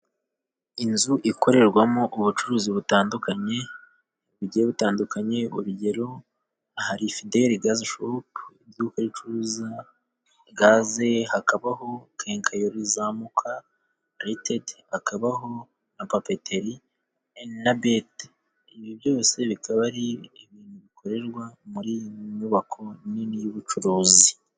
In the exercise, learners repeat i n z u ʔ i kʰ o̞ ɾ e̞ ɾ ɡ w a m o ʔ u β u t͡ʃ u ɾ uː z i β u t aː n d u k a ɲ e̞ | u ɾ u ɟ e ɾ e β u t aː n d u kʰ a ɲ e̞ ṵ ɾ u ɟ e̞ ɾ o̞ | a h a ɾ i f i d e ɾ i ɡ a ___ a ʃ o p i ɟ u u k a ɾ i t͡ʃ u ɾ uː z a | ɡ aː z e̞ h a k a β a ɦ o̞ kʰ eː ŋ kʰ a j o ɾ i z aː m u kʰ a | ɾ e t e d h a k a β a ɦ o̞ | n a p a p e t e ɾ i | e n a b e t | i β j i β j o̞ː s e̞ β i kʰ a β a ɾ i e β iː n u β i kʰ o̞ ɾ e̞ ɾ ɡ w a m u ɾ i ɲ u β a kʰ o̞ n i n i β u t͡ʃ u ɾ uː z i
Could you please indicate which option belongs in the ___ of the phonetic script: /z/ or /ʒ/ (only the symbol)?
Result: z